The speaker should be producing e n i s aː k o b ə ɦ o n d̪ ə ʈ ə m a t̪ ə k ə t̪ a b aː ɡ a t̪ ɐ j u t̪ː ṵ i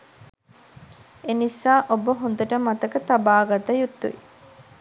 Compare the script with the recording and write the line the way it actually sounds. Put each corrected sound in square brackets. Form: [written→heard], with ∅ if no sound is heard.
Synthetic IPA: e n i s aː [k→ʔ] o b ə ɦ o n d̪ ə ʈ ə m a t̪ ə k ə t̪ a b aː ɡ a t̪ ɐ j u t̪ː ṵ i